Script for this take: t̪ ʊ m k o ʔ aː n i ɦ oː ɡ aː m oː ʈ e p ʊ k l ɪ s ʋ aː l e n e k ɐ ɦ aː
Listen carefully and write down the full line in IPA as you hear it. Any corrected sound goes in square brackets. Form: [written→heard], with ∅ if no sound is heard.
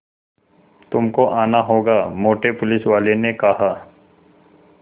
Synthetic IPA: t̪ ʊ m k o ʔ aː n [i→a] ɦ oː ɡ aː m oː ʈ e p ʊ [k→∅] l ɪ s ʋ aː l e n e k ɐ ɦ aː

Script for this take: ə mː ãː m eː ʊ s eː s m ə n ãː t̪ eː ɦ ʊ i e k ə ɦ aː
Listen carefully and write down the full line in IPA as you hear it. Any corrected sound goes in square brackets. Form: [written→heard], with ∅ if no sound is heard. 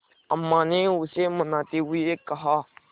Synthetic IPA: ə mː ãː [m→n] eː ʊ s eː [s→∅] m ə n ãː t̪ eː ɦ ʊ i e k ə ɦ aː

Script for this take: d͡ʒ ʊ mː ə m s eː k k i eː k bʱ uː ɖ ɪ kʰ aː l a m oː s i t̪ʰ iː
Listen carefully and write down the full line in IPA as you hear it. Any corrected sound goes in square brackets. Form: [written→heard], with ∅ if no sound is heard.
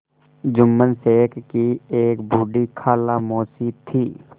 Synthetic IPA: d͡ʒ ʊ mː ə [m→n] s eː k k i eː k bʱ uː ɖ [ɪ→i] kʰ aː l a m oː s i t̪ʰ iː

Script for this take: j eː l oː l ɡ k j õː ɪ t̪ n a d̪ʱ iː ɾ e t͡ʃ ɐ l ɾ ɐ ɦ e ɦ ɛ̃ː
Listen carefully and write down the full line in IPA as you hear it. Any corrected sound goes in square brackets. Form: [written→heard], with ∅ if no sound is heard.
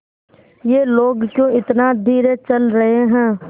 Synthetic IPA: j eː l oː [l→∅] ɡ k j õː ɪ t̪ n a d̪ʱ iː ɾ e t͡ʃ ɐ l ɾ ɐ ɦ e ɦ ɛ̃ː

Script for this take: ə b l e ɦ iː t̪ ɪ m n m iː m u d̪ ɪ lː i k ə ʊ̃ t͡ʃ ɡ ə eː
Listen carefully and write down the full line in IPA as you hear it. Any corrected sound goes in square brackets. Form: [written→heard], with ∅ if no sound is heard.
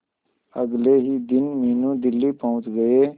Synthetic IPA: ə [b→ɡ] l e ɦ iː [t̪→d̪] ɪ [m→∅] n m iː [m→n] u d̪ ɪ lː i [k→p] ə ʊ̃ t͡ʃ ɡ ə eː

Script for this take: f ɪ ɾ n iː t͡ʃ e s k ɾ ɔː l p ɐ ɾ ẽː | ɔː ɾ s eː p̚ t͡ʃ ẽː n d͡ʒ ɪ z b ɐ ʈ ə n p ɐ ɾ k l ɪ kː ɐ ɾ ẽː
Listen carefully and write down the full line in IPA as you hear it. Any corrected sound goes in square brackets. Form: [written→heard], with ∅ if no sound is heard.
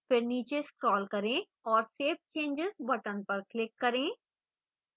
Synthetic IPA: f ɪ ɾ n iː t͡ʃ e s k ɾ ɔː l [p→k] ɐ ɾ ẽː | ɔː ɾ s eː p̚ t͡ʃ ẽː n d͡ʒ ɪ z b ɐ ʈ ə n p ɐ ɾ k l ɪ kː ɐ ɾ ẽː

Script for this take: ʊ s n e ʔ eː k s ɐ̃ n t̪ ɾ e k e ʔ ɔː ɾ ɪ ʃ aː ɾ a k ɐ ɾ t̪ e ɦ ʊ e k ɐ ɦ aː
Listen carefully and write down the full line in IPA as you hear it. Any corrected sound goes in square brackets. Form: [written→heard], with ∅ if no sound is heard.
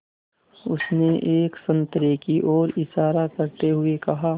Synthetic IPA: ʊ s n e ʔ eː k s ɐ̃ n t̪ ɾ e k [e→i] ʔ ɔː ɾ ɪ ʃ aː ɾ a k ɐ ɾ t̪ e ɦ ʊ e k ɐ ɦ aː

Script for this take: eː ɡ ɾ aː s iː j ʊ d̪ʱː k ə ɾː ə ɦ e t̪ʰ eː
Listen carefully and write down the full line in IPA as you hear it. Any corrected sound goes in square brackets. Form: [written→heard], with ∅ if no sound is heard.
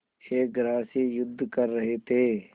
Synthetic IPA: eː ɡ ɾ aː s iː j ʊ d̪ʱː k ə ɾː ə ɦ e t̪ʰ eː

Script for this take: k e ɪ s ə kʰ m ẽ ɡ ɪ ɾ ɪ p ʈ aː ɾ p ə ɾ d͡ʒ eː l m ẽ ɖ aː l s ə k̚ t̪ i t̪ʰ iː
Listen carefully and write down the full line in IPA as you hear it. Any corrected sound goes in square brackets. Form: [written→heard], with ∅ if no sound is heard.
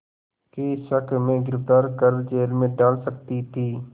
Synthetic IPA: k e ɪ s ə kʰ m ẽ ɡ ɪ ɾ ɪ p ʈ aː ɾ [p→k] ə ɾ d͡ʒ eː l m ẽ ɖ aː l s ə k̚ t̪ i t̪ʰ iː

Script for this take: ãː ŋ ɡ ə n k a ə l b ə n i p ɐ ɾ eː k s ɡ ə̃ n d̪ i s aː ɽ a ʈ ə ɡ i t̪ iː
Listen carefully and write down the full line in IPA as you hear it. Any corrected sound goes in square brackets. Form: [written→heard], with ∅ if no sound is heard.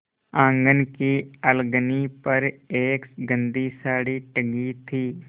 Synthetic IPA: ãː ŋ ɡ ə n k [a→i] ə l [b→ɡ] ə n i p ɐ ɾ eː k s ɡ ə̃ n d̪ i s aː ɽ [a→i] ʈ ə ɡ i [t̪→t̪ʰ] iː

